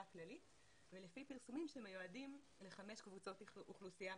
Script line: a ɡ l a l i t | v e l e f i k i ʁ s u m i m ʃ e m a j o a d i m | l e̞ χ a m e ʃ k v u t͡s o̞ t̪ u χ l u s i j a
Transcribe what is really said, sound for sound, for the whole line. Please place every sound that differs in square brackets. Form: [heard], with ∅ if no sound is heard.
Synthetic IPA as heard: a [k] l a l i t | v e l e f i [p] i ʁ s u m i m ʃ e m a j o a d i m | l e̞ χ a m e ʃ k v u t͡s o̞ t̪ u χ l u s i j a